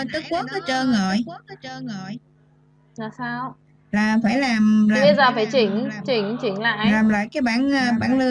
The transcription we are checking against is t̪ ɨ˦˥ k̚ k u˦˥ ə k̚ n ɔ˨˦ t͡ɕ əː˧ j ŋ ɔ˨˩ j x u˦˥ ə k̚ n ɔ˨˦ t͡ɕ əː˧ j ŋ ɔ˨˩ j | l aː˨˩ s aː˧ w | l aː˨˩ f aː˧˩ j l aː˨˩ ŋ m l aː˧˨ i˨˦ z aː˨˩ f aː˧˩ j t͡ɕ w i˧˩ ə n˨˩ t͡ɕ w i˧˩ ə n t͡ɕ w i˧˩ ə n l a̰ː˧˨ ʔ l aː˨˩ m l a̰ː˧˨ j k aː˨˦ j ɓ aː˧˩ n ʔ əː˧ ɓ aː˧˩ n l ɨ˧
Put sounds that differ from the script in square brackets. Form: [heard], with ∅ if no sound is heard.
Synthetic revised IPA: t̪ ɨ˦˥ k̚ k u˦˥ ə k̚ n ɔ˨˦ t͡ɕ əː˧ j ŋ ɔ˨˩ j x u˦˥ ə k̚ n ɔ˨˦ t͡ɕ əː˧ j ŋ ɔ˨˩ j | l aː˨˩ s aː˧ w | l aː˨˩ f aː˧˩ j l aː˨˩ [∅] m l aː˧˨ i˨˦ z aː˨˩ f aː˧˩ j t͡ɕ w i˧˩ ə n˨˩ t͡ɕ w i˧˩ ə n t͡ɕ w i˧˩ ə n l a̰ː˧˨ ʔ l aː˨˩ m l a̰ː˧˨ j k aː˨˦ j ɓ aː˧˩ n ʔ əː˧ ɓ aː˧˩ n l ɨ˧